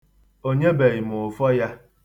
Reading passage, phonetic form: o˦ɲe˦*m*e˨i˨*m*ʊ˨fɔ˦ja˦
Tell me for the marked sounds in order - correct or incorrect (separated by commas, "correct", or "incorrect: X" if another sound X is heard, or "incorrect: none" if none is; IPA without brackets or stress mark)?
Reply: incorrect: b, correct